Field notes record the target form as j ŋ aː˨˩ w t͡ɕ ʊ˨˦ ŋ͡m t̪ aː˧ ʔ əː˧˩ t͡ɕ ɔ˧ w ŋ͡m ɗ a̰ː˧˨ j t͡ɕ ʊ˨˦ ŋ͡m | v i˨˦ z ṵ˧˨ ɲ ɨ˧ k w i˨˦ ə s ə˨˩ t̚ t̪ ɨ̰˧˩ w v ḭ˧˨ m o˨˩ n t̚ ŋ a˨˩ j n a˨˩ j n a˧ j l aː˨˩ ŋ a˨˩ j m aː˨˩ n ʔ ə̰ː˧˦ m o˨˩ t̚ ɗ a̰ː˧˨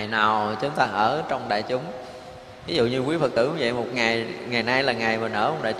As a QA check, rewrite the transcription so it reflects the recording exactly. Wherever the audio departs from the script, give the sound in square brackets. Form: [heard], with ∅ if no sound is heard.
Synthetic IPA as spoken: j [n] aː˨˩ w t͡ɕ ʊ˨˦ ŋ͡m t̪ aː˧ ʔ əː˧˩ t͡ɕ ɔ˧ w ŋ͡m ɗ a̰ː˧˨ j t͡ɕ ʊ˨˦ ŋ͡m | v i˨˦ z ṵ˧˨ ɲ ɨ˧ k w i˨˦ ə [f] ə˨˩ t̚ t̪ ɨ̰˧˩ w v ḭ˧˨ m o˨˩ [∅] t̚ ŋ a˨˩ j [ŋ] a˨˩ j n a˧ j l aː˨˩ ŋ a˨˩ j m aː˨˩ n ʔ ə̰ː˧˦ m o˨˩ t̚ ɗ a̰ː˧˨